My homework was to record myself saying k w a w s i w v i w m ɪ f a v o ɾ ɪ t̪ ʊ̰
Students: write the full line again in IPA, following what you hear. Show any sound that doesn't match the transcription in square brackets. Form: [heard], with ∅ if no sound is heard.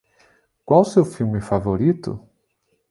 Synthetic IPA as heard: k w a w s [e] w [f] i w m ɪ f a v o ɾ [i] t̪ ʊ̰